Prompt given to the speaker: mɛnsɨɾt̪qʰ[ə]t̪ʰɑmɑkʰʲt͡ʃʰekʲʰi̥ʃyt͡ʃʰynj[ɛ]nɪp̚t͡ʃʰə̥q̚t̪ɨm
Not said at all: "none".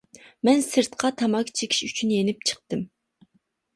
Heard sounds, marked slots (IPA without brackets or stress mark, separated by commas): ɑ, e